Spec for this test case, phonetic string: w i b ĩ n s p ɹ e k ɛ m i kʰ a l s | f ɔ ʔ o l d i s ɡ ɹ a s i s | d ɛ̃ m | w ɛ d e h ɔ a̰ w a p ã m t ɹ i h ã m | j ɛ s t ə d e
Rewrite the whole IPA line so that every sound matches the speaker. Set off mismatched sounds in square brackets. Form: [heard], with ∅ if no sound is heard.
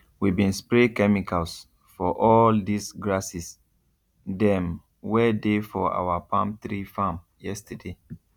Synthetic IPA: w i b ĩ n s p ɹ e k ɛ m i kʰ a l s | f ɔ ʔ [ɔ] l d i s ɡ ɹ a s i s | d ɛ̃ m | w ɛ d e [f] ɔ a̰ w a p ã m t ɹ i [f] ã m | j ɛ s t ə d e